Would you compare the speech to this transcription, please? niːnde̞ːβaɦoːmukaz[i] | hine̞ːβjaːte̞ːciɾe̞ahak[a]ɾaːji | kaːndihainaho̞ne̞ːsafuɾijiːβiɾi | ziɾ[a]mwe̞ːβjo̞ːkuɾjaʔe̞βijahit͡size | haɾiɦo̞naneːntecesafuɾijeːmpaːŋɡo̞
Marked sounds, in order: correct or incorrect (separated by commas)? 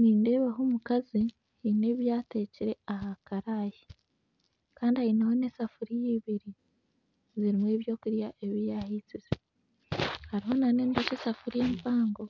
correct, correct, incorrect